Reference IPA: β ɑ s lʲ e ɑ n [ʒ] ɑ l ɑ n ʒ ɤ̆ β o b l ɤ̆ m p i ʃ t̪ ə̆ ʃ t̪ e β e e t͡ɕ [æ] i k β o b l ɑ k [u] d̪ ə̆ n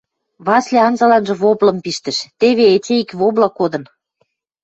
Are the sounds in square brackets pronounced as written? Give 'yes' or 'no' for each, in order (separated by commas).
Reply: no, no, no